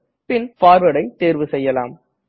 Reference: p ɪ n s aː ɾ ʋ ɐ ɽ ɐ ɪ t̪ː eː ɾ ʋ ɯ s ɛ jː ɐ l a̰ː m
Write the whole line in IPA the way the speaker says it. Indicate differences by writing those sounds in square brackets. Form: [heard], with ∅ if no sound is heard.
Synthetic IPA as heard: p ɪ n [f] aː ɾ ʋ ɐ ɽ ɐ ɪ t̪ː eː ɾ ʋ ɯ s ɛ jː ɐ l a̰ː m